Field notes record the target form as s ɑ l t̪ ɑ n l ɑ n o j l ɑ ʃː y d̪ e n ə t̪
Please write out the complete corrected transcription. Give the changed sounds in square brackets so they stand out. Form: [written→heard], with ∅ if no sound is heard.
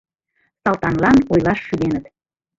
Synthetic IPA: s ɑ l t̪ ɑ n l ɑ n o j l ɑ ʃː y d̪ e n ə t̪

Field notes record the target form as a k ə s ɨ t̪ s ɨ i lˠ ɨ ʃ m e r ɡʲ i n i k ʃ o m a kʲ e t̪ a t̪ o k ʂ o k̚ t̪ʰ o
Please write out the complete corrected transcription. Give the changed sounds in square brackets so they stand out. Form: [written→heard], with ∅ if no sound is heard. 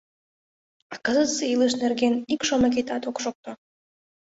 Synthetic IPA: a k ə [s→z] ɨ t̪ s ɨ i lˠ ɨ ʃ [m→n] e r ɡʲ [i→e] n i k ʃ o m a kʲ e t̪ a t̪ o k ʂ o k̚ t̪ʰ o

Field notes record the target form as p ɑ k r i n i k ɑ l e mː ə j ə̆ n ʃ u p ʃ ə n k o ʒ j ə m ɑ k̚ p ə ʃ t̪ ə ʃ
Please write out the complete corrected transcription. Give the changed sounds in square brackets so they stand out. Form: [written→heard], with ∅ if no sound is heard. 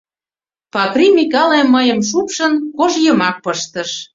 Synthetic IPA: p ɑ k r i [n→m] i k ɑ l e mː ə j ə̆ [n→m] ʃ u p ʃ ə n k o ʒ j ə m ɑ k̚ p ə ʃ t̪ ə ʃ

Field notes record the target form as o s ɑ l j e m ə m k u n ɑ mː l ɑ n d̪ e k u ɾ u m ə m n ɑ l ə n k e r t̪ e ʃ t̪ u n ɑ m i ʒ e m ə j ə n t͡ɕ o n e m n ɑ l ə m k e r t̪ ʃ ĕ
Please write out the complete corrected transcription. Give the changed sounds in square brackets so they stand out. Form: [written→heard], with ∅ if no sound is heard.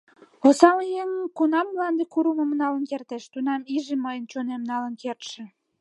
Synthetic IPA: o s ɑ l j e [m→ŋ] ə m k u n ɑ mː l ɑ n d̪ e k u ɾ u m ə m n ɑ l ə n k e r t̪ e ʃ t̪ u n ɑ m i ʒ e m ə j ə n t͡ɕ o n e m n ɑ l ə [m→n] k e r t̪ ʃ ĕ

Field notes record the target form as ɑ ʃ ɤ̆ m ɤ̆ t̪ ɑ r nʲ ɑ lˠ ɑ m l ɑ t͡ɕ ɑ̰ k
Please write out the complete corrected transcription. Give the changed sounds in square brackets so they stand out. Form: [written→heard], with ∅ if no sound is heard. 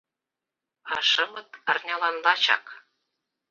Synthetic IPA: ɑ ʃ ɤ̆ m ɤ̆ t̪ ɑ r nʲ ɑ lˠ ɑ [m→n] l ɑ t͡ɕ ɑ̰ k

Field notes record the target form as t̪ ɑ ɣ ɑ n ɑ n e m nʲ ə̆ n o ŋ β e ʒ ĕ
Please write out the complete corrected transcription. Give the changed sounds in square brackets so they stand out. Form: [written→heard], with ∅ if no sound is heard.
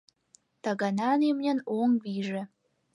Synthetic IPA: t̪ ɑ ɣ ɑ n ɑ n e m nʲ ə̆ n o ŋ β [e→i] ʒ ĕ

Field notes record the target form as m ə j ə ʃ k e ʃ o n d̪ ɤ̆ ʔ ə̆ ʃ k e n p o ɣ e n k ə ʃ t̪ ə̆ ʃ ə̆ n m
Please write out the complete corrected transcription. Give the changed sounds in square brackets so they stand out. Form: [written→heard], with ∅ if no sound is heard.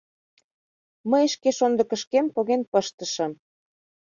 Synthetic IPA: m ə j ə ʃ k e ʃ o n d̪ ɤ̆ [ʔ→k] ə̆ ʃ k e [n→m] p o ɣ e n [k→p] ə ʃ t̪ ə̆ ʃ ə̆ [n→∅] m

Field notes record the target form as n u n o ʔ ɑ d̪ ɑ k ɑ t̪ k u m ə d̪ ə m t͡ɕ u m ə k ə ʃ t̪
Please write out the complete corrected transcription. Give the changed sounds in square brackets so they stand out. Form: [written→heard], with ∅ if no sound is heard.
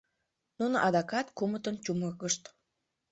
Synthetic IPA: n u n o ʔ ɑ d̪ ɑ k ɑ t̪ k u m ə [d̪→t̪] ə [m→n] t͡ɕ u m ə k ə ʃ t̪

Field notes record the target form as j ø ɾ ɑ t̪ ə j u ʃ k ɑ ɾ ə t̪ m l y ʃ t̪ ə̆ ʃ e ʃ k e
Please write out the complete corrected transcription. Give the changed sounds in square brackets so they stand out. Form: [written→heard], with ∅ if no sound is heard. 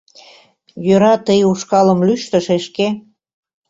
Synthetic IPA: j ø ɾ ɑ t̪ ə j u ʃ k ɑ [ɾ→l] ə [t̪→∅] m l y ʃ t̪ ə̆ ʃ e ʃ k e

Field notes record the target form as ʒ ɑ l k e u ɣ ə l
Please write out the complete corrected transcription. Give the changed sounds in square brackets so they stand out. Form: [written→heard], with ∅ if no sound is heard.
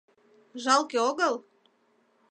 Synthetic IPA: ʒ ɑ l k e [u→o] ɣ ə l

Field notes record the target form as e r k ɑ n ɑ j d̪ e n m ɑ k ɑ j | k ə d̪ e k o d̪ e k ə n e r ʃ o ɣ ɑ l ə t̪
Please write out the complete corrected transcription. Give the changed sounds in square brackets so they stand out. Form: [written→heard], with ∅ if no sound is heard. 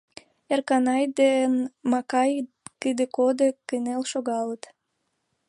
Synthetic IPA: e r k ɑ n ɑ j d̪ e n m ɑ k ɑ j | k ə d̪ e k o d̪ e k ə n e [r→l] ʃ o ɣ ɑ l ə t̪

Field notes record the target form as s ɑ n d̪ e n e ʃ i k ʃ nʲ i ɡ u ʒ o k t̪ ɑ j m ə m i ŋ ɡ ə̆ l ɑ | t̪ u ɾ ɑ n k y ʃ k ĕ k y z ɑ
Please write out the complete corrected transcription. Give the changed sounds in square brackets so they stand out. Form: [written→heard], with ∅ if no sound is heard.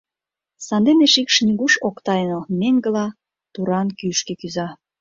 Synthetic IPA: s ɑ n d̪ e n e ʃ i k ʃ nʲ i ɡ u [ʒ→ʃ] o k t̪ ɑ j [m→n] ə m [i→e] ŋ ɡ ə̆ l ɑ | t̪ u ɾ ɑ n k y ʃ k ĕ k y z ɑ

